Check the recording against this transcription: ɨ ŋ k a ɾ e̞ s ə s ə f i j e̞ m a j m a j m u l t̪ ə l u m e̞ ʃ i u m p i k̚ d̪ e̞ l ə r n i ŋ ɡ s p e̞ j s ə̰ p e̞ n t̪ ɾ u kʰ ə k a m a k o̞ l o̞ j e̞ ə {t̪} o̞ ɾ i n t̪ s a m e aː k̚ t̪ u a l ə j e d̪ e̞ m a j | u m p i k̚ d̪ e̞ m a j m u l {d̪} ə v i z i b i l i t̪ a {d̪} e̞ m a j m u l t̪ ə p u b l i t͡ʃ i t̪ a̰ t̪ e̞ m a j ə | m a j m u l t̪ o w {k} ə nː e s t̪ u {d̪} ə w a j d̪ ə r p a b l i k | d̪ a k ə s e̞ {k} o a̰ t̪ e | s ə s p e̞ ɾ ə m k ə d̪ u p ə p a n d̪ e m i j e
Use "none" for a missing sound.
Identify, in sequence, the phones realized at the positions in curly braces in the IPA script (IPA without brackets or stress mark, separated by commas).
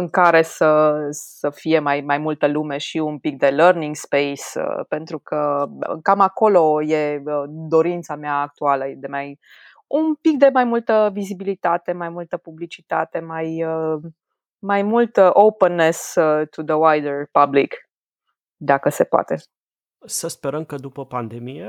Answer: d̪, t̪, t̪, p, d̪, p